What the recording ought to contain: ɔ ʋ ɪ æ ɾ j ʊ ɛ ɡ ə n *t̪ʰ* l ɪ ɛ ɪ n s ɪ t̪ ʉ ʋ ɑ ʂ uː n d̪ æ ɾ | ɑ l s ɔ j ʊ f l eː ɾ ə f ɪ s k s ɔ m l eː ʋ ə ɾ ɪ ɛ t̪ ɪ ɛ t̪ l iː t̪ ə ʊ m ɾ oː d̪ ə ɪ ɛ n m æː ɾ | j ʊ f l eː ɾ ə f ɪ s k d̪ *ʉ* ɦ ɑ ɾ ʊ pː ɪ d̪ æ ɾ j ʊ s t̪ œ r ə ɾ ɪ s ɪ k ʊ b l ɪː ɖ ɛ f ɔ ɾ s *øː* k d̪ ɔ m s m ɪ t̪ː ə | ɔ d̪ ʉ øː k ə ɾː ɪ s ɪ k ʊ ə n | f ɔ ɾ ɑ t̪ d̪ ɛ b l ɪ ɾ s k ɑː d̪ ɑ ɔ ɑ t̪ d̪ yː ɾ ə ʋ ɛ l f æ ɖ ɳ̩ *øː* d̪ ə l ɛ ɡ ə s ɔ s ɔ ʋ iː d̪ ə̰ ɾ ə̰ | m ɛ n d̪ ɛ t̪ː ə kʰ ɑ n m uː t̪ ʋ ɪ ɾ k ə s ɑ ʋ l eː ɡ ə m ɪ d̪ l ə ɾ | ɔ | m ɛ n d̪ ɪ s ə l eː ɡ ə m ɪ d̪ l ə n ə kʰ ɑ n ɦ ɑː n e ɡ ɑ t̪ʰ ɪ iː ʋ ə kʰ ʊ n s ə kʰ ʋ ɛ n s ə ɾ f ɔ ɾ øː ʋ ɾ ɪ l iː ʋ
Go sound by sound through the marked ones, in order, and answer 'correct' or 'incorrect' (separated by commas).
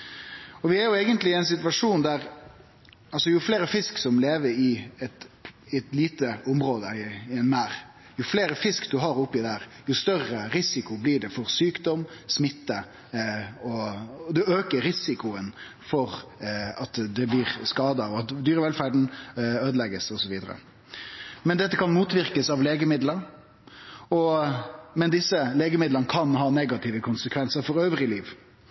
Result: incorrect, correct, incorrect, correct